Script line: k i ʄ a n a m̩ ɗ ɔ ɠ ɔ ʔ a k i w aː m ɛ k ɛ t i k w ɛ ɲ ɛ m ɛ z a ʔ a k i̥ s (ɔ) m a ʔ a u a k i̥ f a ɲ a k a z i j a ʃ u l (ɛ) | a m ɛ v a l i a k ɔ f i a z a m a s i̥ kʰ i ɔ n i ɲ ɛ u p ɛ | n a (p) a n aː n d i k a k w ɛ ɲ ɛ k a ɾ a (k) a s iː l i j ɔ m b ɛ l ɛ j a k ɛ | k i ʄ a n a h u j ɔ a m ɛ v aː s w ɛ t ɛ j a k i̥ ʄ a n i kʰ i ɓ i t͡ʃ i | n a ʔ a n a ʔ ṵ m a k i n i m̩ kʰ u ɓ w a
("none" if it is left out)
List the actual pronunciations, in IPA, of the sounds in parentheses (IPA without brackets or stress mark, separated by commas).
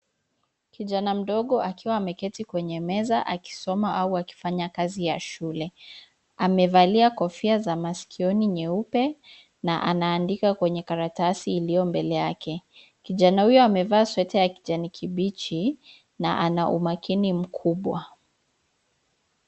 ɔ, ɛ, ʔ, t